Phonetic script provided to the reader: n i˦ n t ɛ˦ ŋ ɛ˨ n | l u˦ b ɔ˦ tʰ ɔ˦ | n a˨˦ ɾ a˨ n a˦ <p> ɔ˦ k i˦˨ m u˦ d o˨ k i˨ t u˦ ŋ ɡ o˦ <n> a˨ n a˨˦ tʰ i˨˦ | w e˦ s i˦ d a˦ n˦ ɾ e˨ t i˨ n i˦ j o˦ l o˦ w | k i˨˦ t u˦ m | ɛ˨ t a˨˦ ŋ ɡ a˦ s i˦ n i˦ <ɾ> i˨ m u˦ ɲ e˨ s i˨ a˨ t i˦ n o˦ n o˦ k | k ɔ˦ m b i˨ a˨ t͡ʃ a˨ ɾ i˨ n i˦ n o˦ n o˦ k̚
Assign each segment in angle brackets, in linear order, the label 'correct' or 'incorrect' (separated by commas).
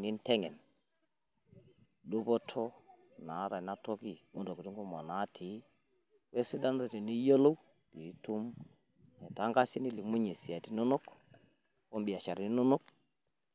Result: incorrect, incorrect, incorrect